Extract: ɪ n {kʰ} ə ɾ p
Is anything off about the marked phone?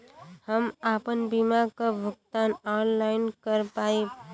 yes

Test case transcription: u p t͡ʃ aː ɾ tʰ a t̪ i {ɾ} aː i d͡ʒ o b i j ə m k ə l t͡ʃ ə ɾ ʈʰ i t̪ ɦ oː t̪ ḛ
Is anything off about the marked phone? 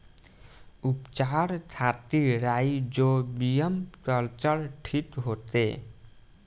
no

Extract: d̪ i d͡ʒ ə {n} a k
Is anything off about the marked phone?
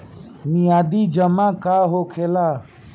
yes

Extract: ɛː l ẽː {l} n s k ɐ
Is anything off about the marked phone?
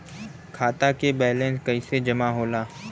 yes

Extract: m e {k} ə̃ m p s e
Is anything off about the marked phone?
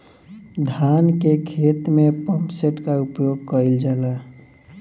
yes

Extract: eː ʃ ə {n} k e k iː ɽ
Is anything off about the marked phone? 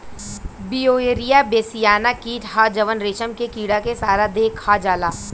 yes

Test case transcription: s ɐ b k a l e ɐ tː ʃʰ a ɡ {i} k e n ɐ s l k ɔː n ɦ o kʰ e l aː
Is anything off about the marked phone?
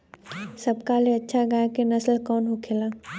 yes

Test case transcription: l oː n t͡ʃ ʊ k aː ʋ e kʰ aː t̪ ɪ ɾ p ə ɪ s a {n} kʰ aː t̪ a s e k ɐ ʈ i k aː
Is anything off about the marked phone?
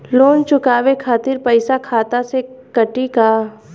yes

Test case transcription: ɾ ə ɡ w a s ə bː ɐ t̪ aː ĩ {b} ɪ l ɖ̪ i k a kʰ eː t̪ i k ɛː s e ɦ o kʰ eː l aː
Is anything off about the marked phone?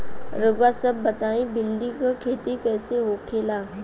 no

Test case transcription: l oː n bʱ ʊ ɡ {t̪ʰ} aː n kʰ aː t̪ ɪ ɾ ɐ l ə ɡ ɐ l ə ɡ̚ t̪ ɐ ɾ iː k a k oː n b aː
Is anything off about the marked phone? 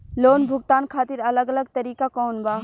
yes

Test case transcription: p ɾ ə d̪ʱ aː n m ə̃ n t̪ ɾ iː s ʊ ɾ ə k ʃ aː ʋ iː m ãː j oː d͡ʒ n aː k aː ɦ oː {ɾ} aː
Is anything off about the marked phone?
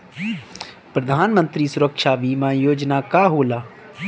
yes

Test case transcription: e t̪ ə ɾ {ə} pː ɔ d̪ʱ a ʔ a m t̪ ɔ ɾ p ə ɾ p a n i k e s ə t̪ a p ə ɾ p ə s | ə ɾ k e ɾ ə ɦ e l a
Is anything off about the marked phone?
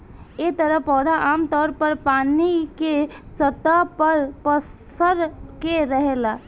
no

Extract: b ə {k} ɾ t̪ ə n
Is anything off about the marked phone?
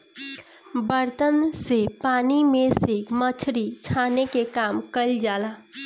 yes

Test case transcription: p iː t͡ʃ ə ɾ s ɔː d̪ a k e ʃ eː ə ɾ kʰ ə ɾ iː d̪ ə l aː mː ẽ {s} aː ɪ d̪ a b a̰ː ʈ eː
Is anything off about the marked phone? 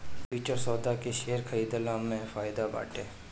yes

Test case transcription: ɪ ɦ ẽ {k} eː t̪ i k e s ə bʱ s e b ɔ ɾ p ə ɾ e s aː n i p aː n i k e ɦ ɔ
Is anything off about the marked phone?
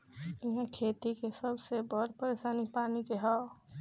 yes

